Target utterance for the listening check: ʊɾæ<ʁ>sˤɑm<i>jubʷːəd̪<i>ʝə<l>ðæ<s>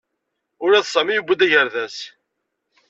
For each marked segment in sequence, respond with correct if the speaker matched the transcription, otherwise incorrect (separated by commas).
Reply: incorrect, correct, incorrect, incorrect, correct